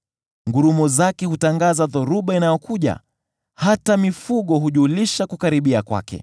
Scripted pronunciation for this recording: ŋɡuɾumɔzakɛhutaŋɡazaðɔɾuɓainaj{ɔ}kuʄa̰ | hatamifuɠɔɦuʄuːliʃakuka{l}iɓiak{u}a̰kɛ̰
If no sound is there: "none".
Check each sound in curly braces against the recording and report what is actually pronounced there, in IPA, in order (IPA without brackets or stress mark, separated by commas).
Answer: ɔ, ɾ, w